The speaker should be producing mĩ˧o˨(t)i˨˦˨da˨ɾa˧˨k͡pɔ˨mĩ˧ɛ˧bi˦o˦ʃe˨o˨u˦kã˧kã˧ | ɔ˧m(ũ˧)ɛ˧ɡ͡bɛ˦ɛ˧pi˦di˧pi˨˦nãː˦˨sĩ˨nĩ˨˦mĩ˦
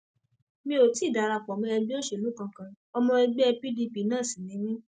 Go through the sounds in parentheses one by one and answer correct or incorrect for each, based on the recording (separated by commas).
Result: correct, incorrect